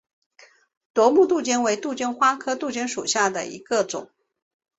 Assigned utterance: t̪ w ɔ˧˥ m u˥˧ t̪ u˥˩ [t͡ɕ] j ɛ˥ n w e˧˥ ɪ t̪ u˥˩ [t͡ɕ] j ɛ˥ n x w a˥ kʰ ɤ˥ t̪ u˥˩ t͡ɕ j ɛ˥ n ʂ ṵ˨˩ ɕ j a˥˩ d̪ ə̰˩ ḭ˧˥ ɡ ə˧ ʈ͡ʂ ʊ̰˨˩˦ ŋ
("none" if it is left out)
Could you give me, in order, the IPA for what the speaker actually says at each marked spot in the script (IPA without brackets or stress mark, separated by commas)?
t͡ɕ, t͡ɕ